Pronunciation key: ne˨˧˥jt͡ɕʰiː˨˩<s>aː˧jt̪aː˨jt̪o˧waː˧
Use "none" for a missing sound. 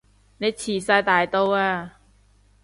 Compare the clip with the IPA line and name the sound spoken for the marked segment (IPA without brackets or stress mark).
s